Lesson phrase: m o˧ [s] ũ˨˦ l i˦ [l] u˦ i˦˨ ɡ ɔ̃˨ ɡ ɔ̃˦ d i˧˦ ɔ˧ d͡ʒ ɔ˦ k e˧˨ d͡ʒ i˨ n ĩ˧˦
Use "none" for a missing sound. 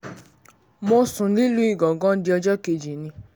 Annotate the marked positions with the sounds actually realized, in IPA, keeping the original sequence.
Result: s, l

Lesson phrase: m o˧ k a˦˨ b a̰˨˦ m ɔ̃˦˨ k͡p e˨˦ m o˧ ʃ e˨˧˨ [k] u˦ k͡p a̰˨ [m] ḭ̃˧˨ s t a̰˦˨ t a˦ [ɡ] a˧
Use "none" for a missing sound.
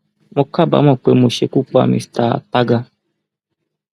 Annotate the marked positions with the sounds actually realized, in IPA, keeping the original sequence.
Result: k, m, ɡ

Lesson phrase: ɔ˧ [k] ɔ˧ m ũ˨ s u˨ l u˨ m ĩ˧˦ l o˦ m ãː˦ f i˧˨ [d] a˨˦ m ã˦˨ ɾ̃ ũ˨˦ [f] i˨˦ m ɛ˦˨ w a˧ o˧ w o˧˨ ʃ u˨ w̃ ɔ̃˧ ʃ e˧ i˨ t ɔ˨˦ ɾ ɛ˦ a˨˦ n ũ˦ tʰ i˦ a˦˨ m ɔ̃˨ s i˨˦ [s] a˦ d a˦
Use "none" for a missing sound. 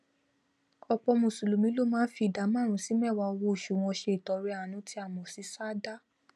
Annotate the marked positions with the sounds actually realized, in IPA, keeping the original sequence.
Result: k͡p, d, s, s

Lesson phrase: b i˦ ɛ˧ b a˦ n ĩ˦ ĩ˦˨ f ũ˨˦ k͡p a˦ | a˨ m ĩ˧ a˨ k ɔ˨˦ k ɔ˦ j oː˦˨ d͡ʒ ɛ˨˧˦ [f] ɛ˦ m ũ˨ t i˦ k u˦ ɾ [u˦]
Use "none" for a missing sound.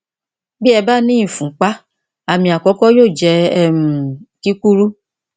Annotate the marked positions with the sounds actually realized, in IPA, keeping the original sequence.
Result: none, u˦

